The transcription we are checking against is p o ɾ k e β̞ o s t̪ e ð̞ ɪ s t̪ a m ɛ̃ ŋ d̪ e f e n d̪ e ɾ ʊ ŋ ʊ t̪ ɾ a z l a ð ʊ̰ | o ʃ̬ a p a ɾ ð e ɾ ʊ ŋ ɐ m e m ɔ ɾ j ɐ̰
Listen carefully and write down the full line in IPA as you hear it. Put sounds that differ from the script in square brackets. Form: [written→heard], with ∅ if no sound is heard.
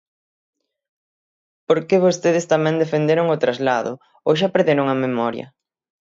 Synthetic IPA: p o ɾ k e β̞ o s t̪ e ð̞ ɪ s t̪ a m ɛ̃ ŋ d̪ e f e n d̪ e ɾ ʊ ŋ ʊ t̪ ɾ a z l a ð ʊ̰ | o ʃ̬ a p [a→e] ɾ ð e ɾ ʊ ŋ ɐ m e m ɔ ɾ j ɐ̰